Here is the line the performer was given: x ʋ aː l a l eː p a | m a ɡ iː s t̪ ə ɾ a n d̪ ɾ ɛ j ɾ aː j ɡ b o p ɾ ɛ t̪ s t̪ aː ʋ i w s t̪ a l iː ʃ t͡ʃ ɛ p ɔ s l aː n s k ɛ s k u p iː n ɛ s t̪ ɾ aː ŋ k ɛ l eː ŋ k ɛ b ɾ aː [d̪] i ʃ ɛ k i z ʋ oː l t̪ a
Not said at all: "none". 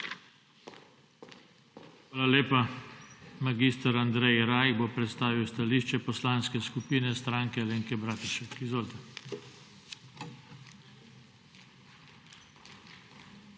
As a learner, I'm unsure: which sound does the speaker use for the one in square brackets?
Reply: t̪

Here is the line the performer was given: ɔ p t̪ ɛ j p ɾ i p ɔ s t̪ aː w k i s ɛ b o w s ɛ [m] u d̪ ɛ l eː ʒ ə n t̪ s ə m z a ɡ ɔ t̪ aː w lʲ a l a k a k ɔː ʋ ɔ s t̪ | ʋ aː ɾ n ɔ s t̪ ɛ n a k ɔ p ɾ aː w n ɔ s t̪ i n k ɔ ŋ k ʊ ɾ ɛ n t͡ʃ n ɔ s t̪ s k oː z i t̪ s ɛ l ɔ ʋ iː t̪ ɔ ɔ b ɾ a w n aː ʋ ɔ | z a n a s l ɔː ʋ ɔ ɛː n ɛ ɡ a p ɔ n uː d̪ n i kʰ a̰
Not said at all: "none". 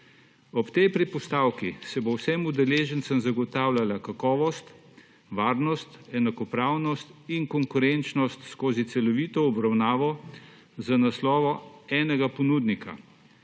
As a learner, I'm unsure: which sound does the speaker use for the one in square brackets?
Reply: m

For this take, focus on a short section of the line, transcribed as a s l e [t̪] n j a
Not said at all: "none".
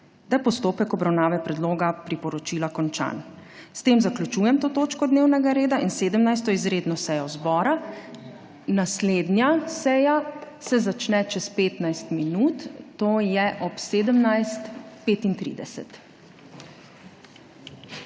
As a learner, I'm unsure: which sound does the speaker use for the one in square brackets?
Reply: d̪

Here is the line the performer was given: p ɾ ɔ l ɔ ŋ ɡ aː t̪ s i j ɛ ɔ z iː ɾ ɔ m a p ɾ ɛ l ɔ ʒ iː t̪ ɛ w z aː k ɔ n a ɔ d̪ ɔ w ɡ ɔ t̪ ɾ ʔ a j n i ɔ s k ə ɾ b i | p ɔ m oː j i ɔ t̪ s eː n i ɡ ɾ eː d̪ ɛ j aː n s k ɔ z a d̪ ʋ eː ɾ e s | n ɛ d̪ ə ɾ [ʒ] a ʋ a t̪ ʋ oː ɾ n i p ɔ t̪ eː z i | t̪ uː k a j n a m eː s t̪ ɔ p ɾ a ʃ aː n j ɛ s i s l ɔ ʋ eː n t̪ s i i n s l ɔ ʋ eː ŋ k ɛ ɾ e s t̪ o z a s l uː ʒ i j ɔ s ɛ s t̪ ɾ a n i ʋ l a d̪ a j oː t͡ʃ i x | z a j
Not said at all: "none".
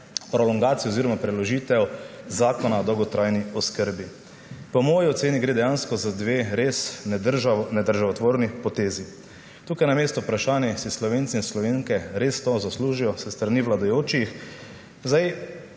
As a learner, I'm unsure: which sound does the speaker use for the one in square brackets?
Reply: ʒ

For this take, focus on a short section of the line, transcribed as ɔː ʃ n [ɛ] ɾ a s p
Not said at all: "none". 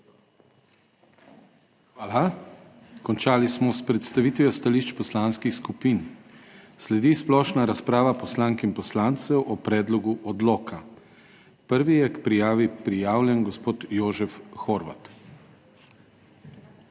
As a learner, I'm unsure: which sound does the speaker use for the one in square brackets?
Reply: a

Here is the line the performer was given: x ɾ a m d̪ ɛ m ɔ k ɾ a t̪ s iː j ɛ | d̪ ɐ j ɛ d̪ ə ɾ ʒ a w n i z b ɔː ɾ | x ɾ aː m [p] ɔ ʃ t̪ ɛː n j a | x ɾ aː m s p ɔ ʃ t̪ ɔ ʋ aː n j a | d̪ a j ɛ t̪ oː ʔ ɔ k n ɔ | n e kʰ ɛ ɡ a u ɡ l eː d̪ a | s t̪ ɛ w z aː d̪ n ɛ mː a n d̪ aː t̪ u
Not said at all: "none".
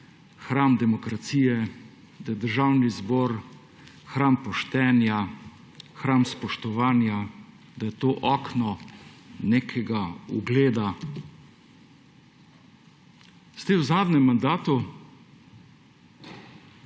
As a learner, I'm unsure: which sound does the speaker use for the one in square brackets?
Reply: p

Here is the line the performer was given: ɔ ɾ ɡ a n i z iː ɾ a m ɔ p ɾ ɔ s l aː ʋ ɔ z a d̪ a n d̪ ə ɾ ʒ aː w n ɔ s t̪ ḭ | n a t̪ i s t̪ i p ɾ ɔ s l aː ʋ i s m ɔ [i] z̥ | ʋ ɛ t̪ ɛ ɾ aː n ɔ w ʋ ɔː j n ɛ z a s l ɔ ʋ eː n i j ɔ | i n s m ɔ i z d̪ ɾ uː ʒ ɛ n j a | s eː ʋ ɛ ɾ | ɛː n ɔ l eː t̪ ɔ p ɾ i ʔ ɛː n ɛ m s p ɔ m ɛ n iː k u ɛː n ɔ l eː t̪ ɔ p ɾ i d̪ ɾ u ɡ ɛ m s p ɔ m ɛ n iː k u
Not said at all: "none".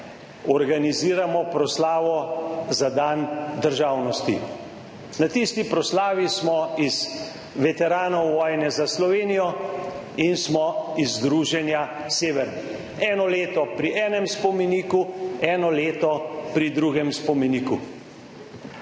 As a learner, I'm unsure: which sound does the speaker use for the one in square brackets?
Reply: i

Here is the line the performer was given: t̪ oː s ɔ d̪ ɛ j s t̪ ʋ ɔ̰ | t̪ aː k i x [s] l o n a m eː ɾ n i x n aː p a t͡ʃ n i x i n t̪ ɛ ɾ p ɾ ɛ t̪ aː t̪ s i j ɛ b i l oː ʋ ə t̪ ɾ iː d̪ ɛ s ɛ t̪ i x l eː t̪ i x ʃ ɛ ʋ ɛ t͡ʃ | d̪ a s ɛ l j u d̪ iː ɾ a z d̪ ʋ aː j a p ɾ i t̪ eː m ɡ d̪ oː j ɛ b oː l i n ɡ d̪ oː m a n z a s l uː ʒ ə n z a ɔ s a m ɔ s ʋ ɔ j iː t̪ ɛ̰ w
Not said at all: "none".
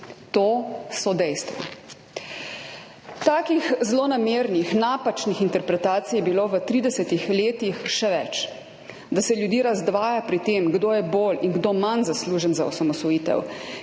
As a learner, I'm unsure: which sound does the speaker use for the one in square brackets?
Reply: z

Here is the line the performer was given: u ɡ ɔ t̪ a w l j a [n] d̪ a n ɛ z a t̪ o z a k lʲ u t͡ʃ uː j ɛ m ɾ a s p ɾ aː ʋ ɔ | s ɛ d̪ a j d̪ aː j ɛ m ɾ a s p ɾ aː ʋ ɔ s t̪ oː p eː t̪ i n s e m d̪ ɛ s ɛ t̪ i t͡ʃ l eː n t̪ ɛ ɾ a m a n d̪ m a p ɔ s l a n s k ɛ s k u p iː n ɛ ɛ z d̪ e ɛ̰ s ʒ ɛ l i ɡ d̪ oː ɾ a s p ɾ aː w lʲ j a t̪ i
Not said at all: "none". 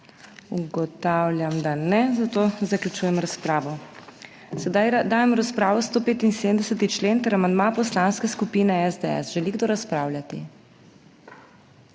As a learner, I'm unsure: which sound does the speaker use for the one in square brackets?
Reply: m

